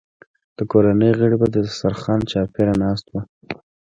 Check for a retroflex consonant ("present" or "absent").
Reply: present